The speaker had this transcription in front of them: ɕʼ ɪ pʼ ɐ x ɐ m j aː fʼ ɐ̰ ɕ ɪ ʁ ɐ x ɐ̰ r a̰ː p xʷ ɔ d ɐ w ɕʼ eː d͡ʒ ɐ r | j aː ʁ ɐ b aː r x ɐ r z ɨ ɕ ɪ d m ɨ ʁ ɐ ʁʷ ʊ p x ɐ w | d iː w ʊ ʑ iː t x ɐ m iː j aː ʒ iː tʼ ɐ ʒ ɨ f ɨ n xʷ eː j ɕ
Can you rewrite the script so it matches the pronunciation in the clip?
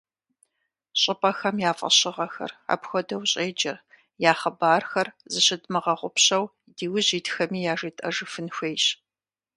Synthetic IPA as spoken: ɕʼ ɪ pʼ ɐ x ɐ m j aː fʼ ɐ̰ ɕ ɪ ʁ ɐ x ɐ̰ r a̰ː p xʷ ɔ d ɐ w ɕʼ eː d͡ʒ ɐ r | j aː χ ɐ b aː r x ɐ r z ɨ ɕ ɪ d m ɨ ʁ ɐ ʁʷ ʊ p ɕ ɐ w | d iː w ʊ ʑ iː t x ɐ m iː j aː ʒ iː tʼ ɐ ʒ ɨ f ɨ n xʷ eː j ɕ

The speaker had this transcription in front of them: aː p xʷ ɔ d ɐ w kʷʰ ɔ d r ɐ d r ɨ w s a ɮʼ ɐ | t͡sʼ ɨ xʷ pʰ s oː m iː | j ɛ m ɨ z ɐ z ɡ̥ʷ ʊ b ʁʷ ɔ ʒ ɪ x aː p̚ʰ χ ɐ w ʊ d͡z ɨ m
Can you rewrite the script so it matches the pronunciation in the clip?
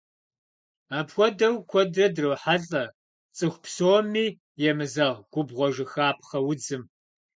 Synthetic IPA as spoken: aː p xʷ ɔ d ɐ w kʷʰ ɔ d r ɐ d r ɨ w ħ a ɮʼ ɐ | t͡sʼ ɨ xʷ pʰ s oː m iː | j ɛ m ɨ z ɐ ʁ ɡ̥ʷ ʊ b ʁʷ ɔ ʒ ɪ x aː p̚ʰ χ ɐ w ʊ d͡z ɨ m

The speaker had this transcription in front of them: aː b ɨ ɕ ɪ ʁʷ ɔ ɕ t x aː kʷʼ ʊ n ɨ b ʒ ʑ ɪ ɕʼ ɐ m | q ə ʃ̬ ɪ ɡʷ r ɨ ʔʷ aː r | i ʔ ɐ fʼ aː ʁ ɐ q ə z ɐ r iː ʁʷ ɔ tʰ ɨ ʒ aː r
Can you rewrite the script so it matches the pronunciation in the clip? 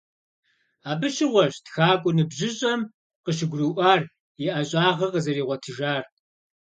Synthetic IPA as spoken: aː b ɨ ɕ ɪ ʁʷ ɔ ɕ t x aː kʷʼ ʊ n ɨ b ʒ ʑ ɪ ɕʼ ɐ m | q ə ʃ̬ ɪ ɡʷ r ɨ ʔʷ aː r | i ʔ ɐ ɕʼ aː ʁ ɐ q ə z ɐ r iː ʁʷ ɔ tʰ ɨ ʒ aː r

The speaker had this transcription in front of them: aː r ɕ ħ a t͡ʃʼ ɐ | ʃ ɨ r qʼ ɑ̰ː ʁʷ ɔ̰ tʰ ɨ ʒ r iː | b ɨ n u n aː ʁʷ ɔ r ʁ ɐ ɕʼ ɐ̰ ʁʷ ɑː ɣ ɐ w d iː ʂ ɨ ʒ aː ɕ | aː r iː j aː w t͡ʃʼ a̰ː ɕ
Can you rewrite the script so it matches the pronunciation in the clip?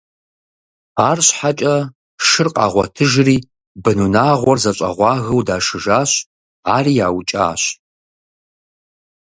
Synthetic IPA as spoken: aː r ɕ ħ a t͡ʃʼ ɐ | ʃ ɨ r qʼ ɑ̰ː ʁʷ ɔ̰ tʰ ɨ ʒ r iː | b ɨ n u n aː ʁʷ ɔ r z ɐ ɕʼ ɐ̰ ʁʷ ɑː ɣ ɐ w d aː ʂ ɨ ʒ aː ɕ | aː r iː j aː w t͡ʃʼ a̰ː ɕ

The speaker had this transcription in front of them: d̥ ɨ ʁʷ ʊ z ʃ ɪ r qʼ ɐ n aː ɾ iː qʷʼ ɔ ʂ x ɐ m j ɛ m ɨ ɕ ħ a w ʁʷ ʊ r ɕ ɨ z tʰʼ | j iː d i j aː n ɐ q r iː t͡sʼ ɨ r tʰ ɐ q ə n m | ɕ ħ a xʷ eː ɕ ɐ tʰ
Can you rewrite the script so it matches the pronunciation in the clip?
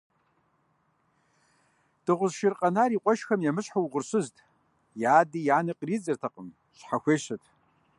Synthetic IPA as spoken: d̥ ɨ ʁʷ ʊ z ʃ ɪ r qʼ ɐ n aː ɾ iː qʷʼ ɔ ʃ x ɐ m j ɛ m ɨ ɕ ħ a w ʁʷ ʊ r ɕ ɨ z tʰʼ | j aː d i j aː n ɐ q r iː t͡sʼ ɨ r tʰ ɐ q ə m | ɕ ħ a xʷ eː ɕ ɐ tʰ

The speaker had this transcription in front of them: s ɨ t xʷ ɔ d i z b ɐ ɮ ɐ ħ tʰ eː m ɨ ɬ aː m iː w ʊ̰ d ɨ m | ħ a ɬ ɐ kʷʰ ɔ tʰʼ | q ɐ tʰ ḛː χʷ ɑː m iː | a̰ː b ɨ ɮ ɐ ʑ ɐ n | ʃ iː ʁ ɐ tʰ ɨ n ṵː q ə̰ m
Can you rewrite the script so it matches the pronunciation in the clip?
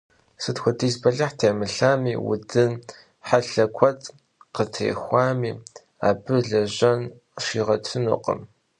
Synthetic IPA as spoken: s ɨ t xʷ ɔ d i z b ɐ ɮ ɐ ħ tʰ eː m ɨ ɬ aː m iː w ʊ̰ d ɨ n | ħ a ɬ ɐ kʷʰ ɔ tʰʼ | q ə tʰ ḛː xʷ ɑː m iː | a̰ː b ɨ ɮ ɐ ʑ ɐ n | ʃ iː ʁ ɐ tʰ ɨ n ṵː q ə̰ m

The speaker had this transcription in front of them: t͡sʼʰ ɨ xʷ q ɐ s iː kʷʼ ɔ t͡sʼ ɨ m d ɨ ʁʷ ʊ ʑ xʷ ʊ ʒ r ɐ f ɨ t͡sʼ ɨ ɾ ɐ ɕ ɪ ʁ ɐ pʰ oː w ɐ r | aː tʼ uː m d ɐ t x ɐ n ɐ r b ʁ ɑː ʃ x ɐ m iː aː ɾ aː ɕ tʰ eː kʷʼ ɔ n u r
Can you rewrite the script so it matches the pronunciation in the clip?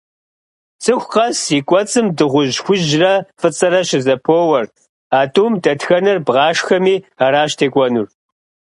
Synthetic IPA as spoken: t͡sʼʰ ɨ xʷ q ɐ s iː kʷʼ ɔ t͡sʼ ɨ m d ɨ ʁʷ ʊ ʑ xʷ ʊ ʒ r ɐ f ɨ t͡sʼ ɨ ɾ ɐ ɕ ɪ z ɐ pʰ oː w ɐ r | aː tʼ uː m d ɐ t x ɐ n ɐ r b ʁ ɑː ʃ x ɐ m iː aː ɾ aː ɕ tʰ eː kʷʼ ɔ n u r

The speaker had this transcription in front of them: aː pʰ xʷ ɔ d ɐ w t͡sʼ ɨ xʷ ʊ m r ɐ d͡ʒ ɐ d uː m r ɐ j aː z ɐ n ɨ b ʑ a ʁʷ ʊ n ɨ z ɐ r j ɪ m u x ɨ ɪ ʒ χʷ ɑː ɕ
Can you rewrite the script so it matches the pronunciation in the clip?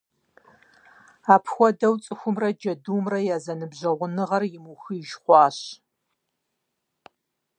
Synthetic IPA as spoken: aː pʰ xʷ ɔ d ɐ w t͡sʼ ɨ xʷ ʊ m r ɐ d͡ʒ ɐ d uː m r ɐ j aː z ɐ n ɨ b ʑ ɐ ʁʷ ʊ n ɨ ʁ ɐ r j ɪ m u x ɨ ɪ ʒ χʷ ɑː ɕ

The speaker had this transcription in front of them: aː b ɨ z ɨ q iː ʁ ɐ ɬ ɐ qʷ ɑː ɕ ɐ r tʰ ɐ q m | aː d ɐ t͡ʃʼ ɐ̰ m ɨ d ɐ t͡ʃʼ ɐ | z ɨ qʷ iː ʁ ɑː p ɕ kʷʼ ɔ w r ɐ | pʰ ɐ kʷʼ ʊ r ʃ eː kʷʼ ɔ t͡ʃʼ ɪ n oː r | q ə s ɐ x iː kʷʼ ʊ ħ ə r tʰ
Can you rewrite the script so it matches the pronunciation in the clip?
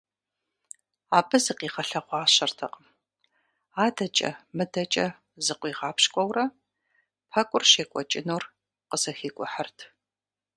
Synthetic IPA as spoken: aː b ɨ z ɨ q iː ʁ ɐ ɬ ɐ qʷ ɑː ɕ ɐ r tʰ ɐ q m | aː d ɐ t͡ʃʼ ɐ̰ m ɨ d ɐ t͡ʃʼ ɐ | z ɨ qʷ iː ʁ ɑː p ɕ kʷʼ ɔ w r ɐ | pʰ ɐ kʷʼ ʊ r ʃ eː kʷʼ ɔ t͡ʃʼ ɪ n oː r | q ə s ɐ x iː kʷʼ ʊ ħ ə r tʰ

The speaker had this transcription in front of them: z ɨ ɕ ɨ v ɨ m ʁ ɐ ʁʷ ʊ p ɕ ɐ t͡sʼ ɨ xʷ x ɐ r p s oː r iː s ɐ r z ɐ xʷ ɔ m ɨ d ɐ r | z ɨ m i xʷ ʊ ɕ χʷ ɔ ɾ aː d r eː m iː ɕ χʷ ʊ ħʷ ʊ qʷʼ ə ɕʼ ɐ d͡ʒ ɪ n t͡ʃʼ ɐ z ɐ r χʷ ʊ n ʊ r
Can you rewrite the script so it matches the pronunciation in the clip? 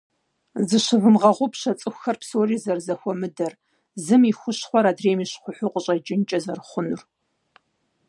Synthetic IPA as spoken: z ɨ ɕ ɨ v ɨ m ʁ ɐ ʁʷ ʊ p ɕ ɐ t͡sʼ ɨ xʷ x ɐ r p s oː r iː z ɐ r z ɐ xʷ ɔ m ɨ d ɐ r | z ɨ m i xʷ ʊ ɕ χʷ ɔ ɾ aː d r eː m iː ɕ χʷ ʊ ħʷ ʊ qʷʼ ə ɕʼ ɐ d͡ʒ ɪ n t͡ʃʼ ɐ z ɐ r χʷ ʊ n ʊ r

